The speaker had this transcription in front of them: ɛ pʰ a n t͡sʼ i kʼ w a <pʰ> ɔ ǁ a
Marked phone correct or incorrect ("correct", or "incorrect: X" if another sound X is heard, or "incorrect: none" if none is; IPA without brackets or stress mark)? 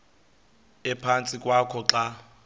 incorrect: kʰ